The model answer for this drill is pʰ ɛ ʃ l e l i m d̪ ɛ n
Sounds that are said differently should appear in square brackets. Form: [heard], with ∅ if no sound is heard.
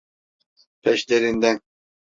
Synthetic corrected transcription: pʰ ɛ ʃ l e [ɾ] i [n] d̪ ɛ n